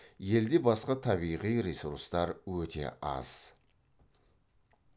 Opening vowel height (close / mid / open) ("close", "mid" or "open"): mid